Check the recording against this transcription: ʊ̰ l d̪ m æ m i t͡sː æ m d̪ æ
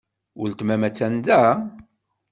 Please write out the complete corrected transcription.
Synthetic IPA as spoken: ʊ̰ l t̪ m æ m æ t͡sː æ n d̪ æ